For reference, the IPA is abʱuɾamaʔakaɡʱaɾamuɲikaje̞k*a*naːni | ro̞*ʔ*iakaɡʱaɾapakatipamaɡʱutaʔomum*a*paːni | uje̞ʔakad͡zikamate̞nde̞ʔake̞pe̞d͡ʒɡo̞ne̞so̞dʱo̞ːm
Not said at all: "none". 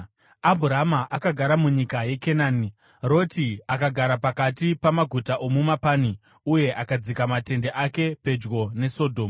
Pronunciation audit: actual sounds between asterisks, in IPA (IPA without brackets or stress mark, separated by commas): e, t, a